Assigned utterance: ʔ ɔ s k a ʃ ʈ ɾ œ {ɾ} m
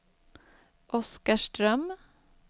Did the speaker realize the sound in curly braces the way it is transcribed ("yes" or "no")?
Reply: no